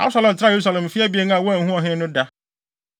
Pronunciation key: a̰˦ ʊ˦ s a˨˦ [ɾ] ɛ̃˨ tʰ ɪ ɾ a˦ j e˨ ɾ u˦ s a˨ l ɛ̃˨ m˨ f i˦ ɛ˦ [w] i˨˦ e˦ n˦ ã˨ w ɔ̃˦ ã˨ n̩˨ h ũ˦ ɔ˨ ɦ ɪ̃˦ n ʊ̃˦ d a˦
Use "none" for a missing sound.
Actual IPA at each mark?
l, b

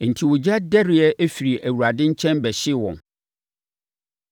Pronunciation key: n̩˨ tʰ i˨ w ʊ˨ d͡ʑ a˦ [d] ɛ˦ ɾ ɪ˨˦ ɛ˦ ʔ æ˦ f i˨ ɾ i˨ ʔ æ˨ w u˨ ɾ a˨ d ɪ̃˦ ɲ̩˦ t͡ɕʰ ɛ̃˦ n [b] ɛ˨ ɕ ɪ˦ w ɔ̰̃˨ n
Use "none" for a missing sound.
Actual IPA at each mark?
d, b

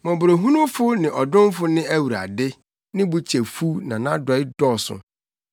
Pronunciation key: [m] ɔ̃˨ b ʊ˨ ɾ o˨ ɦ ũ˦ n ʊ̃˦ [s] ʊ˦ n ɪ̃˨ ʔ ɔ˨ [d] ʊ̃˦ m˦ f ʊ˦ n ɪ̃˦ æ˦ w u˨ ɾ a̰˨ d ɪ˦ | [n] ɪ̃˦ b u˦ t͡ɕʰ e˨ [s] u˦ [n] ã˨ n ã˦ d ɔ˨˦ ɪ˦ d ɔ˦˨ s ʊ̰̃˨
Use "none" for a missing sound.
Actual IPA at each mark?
m, f, d, n, f, n

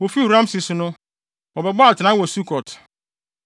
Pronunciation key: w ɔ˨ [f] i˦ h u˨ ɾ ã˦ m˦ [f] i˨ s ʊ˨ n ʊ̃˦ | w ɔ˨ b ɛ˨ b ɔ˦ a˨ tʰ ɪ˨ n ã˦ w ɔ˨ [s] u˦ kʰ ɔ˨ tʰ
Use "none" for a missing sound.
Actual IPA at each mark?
f, s, s

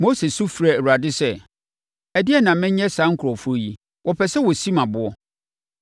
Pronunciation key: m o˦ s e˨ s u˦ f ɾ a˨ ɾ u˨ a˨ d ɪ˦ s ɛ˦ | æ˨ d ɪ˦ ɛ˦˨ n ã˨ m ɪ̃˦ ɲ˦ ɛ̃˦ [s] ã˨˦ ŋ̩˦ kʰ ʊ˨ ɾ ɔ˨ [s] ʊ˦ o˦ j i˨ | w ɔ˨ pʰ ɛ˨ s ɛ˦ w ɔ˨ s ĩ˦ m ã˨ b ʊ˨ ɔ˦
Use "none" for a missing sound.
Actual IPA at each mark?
s, f

